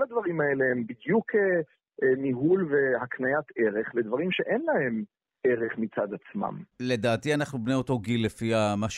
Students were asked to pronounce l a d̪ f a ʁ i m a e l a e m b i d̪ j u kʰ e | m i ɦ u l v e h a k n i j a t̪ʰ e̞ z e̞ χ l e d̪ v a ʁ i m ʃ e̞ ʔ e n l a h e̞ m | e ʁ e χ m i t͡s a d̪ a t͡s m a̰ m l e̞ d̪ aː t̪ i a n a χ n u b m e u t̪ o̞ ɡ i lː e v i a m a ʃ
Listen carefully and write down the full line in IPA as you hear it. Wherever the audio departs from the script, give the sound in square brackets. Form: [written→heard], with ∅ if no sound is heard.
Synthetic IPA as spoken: l a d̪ [f→v] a ʁ i m a e l [a→e] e m b i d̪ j u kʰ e | m i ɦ u l v e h a k n [i→a] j a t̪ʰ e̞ [z→ʁ] e̞ χ l e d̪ v a ʁ i m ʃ e̞ ʔ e n l a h e̞ m | e ʁ e χ m i t͡s a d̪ a t͡s m a̰ m l e̞ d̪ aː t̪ i a n a χ n u b [m→n] e [u→o] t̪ o̞ ɡ i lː e [v→f] i a m a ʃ